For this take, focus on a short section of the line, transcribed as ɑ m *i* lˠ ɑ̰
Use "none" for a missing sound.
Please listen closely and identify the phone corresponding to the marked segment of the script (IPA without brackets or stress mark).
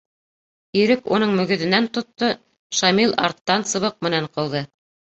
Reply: i